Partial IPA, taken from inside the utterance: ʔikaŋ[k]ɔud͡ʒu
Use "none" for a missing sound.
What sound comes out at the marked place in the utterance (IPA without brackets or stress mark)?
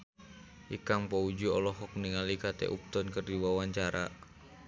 p